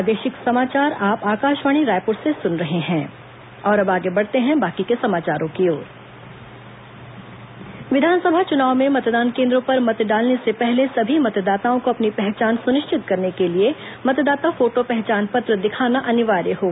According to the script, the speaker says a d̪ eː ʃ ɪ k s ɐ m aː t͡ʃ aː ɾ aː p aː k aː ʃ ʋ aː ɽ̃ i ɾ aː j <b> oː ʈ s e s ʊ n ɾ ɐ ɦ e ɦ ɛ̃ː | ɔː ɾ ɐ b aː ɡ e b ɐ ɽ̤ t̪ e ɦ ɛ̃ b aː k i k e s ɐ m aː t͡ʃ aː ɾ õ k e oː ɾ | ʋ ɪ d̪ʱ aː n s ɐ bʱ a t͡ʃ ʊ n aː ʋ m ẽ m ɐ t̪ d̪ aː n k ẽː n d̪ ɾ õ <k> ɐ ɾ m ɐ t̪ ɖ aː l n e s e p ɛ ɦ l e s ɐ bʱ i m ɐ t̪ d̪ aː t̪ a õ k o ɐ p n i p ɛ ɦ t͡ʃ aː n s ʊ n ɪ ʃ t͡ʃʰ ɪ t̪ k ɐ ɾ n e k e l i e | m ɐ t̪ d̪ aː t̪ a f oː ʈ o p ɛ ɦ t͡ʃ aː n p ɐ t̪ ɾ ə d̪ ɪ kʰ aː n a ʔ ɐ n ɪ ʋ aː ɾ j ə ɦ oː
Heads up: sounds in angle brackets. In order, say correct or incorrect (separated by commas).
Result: incorrect, incorrect